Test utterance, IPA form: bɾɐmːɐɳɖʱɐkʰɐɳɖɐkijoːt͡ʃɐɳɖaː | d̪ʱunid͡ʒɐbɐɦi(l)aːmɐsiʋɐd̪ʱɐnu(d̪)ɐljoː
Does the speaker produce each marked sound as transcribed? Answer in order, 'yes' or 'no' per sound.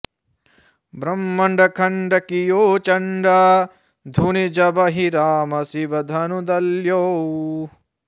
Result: no, yes

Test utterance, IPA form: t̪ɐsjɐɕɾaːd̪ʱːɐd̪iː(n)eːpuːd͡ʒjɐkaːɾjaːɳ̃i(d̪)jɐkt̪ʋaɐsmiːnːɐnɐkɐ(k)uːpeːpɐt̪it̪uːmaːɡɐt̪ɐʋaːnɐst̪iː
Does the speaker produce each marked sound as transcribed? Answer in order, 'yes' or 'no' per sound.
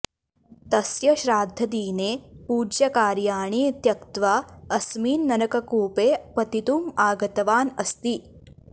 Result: yes, no, yes

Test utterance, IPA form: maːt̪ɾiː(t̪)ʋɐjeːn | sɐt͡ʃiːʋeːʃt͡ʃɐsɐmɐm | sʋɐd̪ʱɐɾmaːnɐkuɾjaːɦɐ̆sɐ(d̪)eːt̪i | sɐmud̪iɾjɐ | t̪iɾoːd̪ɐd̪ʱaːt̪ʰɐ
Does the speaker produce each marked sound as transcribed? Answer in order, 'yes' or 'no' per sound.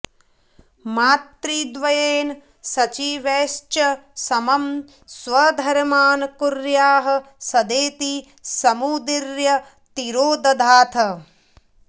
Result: no, yes

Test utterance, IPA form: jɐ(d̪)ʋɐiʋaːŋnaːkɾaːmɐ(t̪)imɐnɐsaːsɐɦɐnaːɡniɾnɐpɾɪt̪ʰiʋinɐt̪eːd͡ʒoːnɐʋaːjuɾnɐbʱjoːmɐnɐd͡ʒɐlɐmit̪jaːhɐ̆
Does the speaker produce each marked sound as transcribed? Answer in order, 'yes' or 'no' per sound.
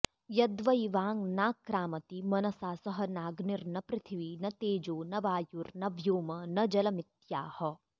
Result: yes, yes

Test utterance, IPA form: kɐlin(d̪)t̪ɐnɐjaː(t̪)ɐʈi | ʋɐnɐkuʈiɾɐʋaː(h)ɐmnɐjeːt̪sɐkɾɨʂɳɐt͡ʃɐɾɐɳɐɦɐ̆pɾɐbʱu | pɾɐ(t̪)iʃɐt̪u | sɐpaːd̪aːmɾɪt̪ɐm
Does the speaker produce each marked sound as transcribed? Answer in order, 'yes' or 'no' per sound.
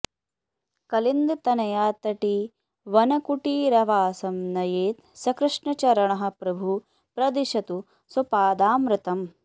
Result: yes, yes, no, no

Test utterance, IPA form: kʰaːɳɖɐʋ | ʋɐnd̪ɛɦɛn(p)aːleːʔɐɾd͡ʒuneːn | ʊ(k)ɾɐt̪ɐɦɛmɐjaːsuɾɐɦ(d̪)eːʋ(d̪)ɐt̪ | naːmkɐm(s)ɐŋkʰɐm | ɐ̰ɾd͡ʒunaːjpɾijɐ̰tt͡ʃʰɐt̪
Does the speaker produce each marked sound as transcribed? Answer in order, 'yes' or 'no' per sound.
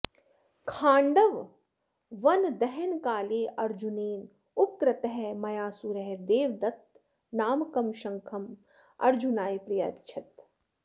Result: no, yes, yes, yes, no

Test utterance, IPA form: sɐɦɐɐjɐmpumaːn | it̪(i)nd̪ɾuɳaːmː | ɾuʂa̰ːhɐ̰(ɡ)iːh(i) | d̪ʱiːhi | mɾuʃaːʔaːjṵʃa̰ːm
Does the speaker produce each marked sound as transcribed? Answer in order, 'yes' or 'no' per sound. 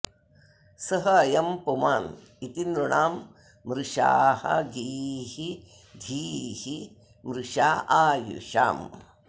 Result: yes, yes, yes

